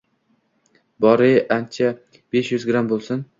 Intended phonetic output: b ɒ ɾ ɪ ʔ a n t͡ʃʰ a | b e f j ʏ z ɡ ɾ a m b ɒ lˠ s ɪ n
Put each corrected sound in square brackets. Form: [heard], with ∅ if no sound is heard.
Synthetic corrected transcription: b ɒ ɾ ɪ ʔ a n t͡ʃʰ a | b e [ʃ] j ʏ z ɡ ɾ a m b [o] lˠ s ɪ n